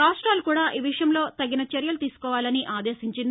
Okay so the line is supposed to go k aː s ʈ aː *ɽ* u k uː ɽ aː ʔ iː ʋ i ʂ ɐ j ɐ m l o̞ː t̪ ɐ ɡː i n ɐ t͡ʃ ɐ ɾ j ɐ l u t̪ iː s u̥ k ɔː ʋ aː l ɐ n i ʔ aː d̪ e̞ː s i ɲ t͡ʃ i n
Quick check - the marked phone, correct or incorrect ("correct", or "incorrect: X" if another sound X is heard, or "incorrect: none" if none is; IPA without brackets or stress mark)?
incorrect: l